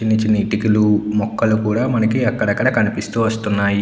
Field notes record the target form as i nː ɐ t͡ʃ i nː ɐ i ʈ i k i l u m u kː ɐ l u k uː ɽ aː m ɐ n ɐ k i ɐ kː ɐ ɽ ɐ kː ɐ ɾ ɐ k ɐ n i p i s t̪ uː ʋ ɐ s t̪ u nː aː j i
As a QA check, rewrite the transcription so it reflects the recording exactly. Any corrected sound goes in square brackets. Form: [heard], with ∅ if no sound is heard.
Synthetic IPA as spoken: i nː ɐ t͡ʃ i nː ɐ i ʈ i k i l u m [ɔ] kː ɐ l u k uː ɽ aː m ɐ n ɐ k i ɐ kː ɐ ɽ ɐ kː ɐ [ɽ] ɐ k ɐ n i p i s t̪ uː ʋ ɐ s t̪ u nː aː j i